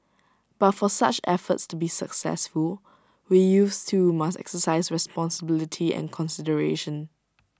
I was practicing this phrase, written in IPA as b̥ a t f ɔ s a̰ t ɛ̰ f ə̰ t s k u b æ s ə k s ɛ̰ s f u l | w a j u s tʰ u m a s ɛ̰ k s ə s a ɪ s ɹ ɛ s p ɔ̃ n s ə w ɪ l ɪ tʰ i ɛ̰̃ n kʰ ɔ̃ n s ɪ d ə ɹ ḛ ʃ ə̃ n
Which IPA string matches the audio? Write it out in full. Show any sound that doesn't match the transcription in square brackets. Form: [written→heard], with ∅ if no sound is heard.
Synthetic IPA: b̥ a t f ɔ s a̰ [t→t͡ʃ] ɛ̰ f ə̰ t s [k→t] u b [æ→i] s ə k s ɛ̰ s f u l | w [a→i] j u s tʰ u m a s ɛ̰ k s ə s a ɪ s ɹ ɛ s p ɔ̃ n s ə [w→b] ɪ l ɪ tʰ i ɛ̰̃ n kʰ ɔ̃ n s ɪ d ə ɹ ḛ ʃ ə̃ n